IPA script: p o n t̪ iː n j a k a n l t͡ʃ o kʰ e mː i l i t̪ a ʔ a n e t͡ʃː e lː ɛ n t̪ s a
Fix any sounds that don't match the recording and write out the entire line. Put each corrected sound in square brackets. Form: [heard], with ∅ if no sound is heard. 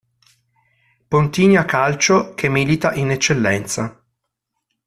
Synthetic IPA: p o n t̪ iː n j a k a [∅] l t͡ʃ o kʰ e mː i l i t̪ a ʔ [i] n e t͡ʃː e lː ɛ n t̪ s a